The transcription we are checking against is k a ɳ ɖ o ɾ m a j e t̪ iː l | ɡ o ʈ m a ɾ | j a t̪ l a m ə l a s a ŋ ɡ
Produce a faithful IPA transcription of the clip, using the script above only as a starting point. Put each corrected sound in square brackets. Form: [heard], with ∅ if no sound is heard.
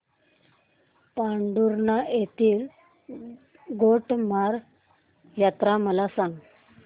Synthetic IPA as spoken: [p] a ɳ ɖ [u] ɾ [n] a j e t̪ iː l | ɡ o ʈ m a ɾ | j a t̪ [ɾ] a m ə l a s a ŋ ɡ